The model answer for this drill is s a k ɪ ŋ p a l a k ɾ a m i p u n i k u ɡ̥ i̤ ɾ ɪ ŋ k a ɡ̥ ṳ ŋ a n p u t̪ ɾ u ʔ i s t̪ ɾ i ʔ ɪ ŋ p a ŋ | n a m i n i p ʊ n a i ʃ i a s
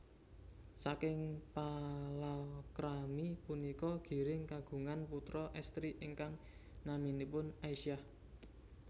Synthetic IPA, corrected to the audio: s a k ɪ ŋ p a l a k ɾ a m i p u n i k ɔ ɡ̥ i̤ ɾ ɪ ŋ k a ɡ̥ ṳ ŋ a n p u t̪ ɾ ɔ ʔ ɛ s t̪ ɾ i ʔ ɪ ŋ k a ŋ | n a m i n i p ʊ n a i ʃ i a h